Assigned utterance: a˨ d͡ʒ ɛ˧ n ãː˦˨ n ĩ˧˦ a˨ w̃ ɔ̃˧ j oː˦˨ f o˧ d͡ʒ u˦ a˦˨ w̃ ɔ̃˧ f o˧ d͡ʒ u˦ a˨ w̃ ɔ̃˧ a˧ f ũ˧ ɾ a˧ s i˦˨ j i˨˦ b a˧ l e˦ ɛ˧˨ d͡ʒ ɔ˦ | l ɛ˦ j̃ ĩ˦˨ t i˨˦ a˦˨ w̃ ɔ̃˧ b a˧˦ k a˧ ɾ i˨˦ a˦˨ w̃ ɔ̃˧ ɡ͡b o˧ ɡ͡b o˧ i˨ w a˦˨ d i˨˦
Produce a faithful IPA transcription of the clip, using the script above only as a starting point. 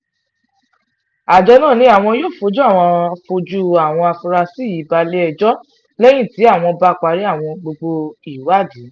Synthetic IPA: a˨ d͡ʒ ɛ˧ n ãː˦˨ n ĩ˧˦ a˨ w̃ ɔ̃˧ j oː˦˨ f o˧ d͡ʒ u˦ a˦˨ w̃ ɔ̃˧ f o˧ d͡ʒ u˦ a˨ w̃ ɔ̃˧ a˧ f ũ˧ ɾ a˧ s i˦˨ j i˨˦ b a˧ l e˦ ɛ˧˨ d͡ʒ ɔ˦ | l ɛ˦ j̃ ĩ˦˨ t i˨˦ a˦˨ w̃ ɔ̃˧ b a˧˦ k͡p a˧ ɾ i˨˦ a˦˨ w̃ ɔ̃˧ ɡ͡b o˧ ɡ͡b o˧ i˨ w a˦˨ d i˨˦